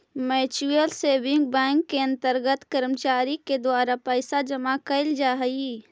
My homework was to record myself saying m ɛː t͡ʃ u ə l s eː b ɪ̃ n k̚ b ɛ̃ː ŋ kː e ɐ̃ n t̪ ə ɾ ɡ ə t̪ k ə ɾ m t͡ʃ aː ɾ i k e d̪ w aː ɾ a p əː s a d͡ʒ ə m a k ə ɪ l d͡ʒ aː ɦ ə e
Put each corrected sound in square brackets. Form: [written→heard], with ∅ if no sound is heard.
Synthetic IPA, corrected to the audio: m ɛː t͡ʃ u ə l s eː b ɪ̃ [n→ŋ] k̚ b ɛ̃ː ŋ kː e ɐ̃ n t̪ ə ɾ ɡ ə t̪ k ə ɾ m t͡ʃ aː ɾ i k e d̪ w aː ɾ a p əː s a d͡ʒ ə m a k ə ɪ l d͡ʒ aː ɦ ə [e→i]